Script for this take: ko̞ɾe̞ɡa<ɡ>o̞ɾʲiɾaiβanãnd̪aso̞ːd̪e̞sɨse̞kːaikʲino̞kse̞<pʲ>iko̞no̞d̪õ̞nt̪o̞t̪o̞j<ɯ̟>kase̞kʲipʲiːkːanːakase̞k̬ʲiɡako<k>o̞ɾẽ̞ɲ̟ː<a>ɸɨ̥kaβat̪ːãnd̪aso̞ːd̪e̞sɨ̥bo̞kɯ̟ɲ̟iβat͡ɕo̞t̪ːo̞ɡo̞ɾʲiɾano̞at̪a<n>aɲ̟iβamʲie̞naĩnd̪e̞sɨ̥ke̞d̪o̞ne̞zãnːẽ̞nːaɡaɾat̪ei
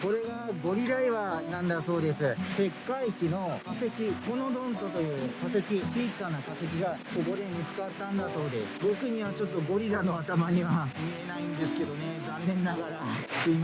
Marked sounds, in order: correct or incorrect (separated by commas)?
correct, incorrect, incorrect, incorrect, incorrect, incorrect